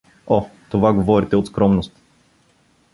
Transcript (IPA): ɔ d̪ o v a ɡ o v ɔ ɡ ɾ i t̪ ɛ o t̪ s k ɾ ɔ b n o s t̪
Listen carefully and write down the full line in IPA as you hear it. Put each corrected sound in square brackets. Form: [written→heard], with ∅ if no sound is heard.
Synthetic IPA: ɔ [d̪→t̪] o v a ɡ o v ɔ [ɡ→∅] ɾ i t̪ ɛ o t̪ s k ɾ ɔ [b→m] n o s t̪